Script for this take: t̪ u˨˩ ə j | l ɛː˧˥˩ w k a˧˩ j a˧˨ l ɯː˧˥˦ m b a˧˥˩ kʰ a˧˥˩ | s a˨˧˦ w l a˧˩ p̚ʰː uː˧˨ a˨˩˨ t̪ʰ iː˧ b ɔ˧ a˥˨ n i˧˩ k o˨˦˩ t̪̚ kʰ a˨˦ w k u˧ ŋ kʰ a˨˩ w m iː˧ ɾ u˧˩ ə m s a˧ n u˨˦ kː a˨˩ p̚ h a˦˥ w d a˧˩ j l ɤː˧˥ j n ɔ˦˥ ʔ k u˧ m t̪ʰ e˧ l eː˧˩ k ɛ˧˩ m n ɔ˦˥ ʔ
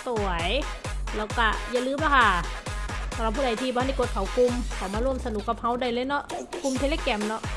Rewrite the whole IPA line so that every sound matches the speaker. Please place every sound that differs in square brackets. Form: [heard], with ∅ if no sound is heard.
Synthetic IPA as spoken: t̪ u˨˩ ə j | l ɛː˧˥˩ w k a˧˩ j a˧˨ l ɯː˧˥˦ m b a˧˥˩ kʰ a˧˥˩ | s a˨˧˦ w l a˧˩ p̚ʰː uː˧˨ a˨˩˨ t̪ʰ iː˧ b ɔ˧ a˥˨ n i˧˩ k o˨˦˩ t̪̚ kʰ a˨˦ w k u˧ [m] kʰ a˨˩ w m [aː˧] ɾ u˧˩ ə m s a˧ n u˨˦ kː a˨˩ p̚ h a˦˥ w d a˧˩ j l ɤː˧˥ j n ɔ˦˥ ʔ k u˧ m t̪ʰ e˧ l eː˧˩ k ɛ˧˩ m n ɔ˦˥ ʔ